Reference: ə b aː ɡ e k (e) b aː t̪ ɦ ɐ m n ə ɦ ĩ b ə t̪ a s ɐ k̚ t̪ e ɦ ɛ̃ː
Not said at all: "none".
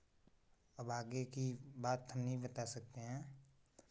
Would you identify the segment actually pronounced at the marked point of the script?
i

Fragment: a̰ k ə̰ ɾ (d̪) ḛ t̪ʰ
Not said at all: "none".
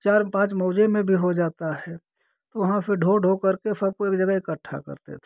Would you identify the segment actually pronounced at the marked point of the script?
t̪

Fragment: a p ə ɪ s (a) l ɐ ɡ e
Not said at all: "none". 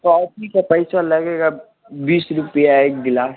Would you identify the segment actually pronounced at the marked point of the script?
a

